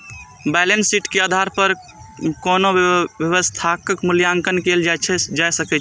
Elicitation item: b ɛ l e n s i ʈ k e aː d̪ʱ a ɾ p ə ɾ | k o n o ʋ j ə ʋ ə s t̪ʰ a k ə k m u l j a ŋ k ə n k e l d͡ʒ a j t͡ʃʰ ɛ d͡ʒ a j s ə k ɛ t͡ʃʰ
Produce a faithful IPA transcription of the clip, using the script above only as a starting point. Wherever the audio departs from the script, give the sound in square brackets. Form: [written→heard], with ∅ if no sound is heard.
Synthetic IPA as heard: b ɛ l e n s i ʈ k e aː d̪ʱ a ɾ p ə ɾ | k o n o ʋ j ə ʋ ə s t̪ʰ a k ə k m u l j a ŋ k ə n k e l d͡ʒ a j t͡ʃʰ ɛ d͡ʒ a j s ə k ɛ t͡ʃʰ

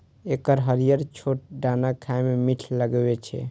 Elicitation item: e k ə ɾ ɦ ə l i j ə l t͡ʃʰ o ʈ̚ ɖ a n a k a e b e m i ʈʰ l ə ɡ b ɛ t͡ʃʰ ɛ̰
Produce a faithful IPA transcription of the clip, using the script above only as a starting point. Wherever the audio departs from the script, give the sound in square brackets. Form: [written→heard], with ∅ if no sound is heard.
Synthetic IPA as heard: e k ə ɾ ɦ ə [l→ɾ] i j ə [l→ɾ] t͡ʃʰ o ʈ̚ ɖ a n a [k→kʰ] a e [b→m] e m i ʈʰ l ə ɡ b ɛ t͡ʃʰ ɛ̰

